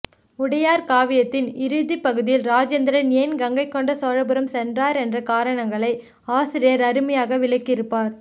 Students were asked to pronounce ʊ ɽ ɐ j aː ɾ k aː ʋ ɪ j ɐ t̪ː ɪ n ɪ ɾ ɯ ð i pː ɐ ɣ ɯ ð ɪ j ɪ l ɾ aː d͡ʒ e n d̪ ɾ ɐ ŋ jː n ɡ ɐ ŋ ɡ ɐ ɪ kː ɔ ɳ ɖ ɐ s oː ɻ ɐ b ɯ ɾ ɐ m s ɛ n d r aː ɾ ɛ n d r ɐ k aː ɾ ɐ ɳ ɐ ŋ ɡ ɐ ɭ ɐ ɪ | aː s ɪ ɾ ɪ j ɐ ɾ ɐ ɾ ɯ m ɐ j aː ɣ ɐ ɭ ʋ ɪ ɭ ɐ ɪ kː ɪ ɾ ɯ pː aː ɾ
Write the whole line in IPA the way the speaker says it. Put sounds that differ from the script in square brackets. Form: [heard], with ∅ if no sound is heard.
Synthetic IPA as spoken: ʊ ɽ ɐ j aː ɾ k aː ʋ ɪ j ɐ t̪ː ɪ n ɪ ɾ ɯ ð i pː ɐ ɣ ɯ ð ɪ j ɪ l ɾ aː d͡ʒ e n d̪ ɾ ɐ [n] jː n ɡ ɐ ŋ ɡ ɐ ɪ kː ɔ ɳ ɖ ɐ s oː ɻ ɐ b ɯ ɾ ɐ m s ɛ n d r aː ɾ ɛ n d r ɐ k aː ɾ ɐ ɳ ɐ ŋ ɡ ɐ ɭ ɐ ɪ | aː s ɪ ɾ ɪ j ɐ ɾ ɐ ɾ ɯ m ɐ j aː ɣ ɐ [∅] ʋ ɪ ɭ ɐ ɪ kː ɪ ɾ ɯ pː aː ɾ